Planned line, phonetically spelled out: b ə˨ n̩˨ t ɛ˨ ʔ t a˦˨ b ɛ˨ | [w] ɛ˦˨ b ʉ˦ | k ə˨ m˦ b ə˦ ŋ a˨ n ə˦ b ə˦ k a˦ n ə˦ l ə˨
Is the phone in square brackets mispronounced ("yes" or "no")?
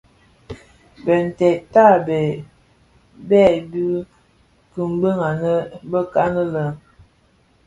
yes